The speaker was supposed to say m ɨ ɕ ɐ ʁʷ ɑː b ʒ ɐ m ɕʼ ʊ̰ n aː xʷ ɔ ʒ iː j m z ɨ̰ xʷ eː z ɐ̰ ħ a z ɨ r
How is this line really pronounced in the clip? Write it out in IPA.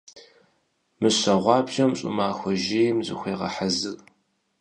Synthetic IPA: m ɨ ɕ ɐ ʁʷ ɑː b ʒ ɐ m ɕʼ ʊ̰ m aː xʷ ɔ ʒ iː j m z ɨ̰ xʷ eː ʁ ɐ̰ ħ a z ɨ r

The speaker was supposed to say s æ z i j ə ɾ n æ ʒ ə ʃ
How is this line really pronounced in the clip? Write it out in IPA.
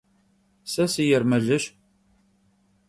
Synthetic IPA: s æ s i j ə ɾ m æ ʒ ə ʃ

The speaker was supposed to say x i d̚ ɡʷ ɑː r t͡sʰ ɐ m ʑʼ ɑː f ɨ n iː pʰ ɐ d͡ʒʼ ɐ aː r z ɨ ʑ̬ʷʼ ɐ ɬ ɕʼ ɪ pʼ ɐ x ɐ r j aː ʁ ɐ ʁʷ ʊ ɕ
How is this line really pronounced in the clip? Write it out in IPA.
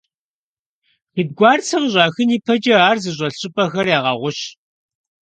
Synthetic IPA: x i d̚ ɡʷ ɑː r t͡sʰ ɐ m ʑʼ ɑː x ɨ n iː pʰ ɐ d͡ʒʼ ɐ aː r z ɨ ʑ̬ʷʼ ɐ ɬ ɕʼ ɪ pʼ ɐ x ɐ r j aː ʁ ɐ ʁʷ ʊ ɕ

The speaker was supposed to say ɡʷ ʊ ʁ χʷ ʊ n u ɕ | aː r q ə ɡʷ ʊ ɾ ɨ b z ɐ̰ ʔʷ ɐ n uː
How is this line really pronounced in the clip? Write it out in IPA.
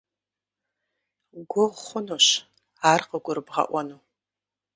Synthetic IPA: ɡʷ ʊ ʁ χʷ ʊ n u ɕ | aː r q ə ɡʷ ʊ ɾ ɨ b ʁ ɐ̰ ʔʷ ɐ n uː

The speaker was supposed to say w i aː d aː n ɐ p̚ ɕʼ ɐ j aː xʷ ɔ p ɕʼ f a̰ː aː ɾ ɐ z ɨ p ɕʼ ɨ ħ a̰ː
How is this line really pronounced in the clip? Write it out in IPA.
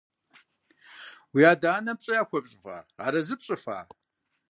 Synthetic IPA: w i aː d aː n ɐ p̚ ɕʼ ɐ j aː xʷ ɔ p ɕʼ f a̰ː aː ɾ ɐ z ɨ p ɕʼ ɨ f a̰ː

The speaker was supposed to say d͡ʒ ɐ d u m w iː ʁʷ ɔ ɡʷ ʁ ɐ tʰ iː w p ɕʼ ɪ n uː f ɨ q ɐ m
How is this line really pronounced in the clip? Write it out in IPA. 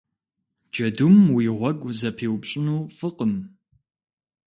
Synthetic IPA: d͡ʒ ɐ d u m w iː ʁʷ ɔ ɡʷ z ɐ pʰ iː w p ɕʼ ɪ n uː f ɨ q ə m

